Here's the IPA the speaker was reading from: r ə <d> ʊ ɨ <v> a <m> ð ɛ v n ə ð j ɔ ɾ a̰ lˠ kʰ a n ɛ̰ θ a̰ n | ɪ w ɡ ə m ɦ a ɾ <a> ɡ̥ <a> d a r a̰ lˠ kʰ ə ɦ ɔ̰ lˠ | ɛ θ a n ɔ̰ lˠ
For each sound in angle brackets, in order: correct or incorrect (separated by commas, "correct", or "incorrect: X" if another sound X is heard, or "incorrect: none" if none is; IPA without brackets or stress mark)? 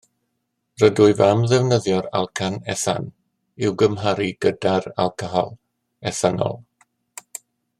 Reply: correct, correct, correct, incorrect: i, incorrect: ə